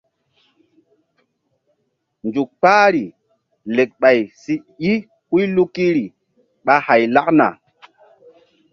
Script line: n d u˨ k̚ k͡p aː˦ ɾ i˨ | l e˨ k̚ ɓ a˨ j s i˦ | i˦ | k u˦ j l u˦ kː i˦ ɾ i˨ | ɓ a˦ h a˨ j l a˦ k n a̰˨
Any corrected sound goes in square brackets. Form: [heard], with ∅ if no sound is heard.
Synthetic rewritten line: n [d͡ʒ] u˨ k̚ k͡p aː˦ ɾ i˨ | l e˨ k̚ ɓ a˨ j s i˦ | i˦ | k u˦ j l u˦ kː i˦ ɾ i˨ | ɓ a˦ h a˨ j l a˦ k n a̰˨